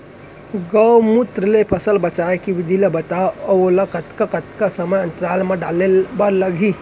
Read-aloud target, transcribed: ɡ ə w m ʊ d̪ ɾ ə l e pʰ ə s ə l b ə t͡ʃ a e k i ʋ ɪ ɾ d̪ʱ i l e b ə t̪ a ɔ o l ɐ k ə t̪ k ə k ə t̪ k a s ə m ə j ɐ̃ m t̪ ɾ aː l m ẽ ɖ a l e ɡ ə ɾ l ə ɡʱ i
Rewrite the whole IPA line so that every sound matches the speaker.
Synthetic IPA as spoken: ɡ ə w m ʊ t̪ ɾ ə l e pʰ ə s ə l b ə t͡ʃ a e k i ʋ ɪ d̪ʱ i l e b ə t̪ a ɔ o l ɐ k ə t̪ k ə k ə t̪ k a s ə m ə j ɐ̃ n t̪ ɾ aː l m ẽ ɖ a l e b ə ɾ l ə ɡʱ i